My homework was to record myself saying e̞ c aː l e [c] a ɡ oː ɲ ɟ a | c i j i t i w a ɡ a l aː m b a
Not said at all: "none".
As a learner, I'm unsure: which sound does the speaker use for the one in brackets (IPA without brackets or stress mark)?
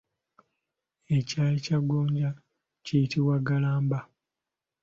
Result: c